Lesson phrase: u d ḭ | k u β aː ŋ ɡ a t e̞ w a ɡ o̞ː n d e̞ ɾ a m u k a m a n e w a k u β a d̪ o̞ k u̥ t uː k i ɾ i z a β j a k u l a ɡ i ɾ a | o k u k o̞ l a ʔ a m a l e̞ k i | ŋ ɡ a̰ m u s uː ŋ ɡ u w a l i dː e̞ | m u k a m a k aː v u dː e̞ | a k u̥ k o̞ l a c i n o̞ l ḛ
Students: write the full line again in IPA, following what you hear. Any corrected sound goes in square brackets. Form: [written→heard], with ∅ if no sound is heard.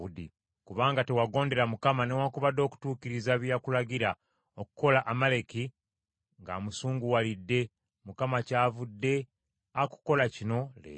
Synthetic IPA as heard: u d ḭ | k u β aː ŋ ɡ a t e̞ w a ɡ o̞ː n d e̞ ɾ a m u k a m a n e w a k u β a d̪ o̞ k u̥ t uː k i ɾ i z a β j a k u l a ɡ i ɾ a | o k u k o̞ l a ʔ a m a l e̞ k i | ŋ ɡ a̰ m u s uː ŋ ɡ u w a l i dː e̞ | m u k a m a [k→c] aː v u dː e̞ | a k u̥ k o̞ l a c i n o̞ l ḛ